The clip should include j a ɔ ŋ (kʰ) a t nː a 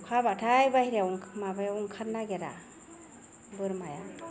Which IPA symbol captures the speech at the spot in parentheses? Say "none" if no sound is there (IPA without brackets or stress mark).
kʰ